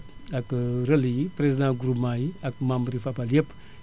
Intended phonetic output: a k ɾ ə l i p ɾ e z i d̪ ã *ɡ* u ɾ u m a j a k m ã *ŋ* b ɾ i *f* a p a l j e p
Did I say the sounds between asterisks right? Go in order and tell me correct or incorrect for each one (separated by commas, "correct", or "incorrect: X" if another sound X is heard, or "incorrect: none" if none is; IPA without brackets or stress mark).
correct, incorrect: m, correct